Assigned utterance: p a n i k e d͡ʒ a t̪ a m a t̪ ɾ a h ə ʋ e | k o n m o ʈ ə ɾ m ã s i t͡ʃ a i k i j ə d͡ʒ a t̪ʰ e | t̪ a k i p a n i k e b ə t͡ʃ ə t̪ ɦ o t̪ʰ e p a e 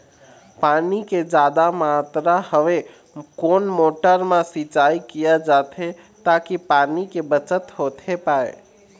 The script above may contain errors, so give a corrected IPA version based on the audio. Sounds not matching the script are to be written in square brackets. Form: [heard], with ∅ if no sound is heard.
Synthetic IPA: p a n i k e d͡ʒ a [d̪] a m a t̪ ɾ a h ə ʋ e | k o n m o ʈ ə ɾ m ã s i t͡ʃ a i k i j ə d͡ʒ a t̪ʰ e | t̪ a k i p a n i k e b ə t͡ʃ ə t̪ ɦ o t̪ʰ e p a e